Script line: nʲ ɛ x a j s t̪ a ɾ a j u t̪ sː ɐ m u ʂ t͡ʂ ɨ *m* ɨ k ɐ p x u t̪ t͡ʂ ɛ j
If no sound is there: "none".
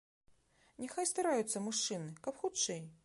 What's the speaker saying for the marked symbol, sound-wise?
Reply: n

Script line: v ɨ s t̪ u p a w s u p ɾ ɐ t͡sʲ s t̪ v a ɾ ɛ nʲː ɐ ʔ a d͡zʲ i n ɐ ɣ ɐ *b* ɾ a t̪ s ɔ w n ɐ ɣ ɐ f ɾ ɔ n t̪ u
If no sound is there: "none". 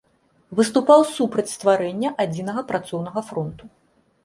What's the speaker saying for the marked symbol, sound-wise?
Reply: p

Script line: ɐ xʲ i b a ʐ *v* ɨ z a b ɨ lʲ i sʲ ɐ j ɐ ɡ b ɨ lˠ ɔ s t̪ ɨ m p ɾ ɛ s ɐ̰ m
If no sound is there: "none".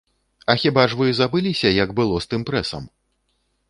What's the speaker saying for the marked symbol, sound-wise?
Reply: v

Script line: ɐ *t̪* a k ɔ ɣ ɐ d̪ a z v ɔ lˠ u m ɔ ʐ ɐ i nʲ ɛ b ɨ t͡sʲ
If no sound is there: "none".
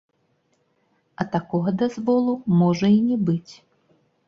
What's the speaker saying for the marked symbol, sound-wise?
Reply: t̪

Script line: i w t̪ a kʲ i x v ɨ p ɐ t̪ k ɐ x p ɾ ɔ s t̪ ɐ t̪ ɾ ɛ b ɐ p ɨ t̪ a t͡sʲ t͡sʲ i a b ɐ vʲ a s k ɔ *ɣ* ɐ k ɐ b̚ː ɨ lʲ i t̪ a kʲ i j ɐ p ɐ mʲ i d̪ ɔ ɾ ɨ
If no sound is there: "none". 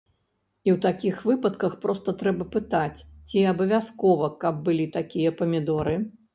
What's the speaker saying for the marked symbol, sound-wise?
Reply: v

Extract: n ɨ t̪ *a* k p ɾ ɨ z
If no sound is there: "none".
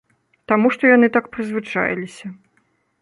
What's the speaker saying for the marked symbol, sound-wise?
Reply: a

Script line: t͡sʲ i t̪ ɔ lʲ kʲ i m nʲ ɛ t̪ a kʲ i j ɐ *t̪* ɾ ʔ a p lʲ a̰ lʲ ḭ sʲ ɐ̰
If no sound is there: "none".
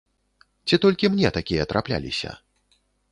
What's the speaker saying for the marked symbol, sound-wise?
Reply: t̪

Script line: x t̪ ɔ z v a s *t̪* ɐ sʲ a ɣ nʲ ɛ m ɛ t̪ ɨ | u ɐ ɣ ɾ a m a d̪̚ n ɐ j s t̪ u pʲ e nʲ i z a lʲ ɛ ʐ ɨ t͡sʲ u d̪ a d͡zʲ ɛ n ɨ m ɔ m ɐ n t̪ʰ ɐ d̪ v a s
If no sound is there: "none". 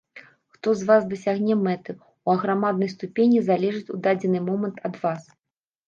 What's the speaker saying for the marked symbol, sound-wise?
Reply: d̪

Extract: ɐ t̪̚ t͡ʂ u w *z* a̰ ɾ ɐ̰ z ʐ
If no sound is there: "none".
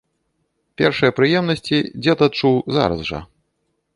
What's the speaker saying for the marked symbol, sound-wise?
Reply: z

